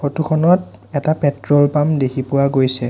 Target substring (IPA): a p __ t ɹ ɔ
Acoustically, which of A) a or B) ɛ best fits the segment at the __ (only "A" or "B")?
B